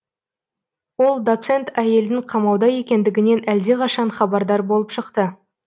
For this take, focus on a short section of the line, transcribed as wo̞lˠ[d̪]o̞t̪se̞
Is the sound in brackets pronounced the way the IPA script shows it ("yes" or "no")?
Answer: yes